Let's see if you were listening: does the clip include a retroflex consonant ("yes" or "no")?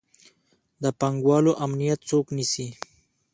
no